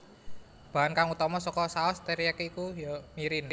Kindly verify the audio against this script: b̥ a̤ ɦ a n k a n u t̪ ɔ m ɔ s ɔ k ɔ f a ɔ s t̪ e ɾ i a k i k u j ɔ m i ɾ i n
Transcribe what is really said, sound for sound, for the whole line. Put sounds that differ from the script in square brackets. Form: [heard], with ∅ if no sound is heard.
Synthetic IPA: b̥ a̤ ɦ a n k a [ŋ] u t̪ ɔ m ɔ s ɔ k ɔ [s] a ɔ s t̪ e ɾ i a k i k u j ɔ m i ɾ i n